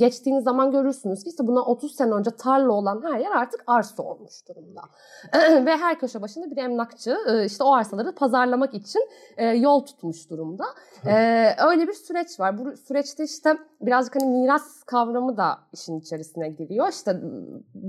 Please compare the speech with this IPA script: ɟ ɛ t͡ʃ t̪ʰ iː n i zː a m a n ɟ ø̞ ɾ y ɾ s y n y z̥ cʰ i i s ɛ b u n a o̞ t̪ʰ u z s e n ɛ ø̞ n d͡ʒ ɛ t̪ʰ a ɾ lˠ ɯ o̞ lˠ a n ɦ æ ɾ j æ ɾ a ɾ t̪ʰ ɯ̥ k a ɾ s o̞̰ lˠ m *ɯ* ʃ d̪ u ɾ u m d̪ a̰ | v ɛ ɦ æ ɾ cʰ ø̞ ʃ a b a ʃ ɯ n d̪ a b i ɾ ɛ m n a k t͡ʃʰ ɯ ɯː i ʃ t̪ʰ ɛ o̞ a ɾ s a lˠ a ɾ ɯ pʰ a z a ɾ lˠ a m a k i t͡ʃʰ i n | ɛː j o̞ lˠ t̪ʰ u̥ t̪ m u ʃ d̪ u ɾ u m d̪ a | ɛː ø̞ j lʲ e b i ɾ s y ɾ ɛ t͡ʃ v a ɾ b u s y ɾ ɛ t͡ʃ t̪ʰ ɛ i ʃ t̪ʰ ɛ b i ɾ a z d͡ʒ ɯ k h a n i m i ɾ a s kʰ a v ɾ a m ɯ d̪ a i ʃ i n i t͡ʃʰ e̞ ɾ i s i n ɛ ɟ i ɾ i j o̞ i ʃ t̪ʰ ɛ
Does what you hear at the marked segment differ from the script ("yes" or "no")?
yes